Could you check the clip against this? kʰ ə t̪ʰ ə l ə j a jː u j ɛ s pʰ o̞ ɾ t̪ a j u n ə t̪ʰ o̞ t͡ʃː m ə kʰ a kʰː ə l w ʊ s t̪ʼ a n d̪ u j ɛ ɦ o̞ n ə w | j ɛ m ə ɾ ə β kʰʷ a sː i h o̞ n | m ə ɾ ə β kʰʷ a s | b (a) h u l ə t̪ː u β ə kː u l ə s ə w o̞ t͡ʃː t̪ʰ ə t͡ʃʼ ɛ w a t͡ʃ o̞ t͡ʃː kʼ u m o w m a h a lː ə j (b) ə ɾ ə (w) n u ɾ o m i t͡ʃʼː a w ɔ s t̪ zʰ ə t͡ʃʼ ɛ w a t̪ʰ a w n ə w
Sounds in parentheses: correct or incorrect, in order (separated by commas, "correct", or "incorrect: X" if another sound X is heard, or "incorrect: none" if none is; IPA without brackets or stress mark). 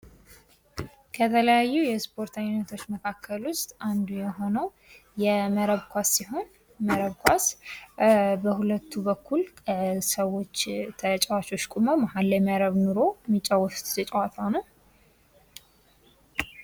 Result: incorrect: ə, incorrect: m, incorrect: β